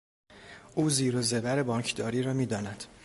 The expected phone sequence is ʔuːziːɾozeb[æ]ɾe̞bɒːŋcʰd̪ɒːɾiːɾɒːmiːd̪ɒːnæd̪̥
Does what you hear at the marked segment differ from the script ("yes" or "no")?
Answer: no